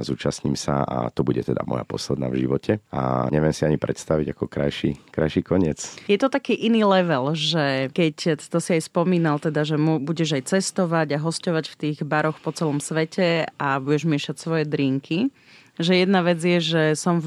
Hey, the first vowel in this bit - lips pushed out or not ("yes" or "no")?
yes